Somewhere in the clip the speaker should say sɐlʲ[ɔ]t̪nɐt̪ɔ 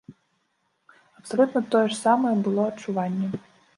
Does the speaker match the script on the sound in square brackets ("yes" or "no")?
no